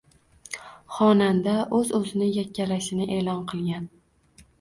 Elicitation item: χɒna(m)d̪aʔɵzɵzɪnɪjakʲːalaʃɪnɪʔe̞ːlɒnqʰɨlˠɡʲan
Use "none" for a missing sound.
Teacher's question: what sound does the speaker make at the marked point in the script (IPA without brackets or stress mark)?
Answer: n